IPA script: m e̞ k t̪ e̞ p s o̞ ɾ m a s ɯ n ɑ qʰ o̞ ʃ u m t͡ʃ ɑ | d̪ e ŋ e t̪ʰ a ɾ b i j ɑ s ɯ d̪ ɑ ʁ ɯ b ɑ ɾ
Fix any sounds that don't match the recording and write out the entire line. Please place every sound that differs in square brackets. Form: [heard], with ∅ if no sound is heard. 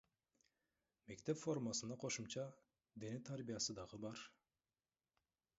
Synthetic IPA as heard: m e̞ k t̪ e̞ p [f] o̞ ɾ m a s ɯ n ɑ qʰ o̞ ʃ u m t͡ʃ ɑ | d̪ e [n] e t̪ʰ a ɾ b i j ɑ s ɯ d̪ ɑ ʁ ɯ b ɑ ɾ